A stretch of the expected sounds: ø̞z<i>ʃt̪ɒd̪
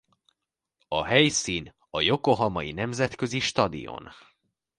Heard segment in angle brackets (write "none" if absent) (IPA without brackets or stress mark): i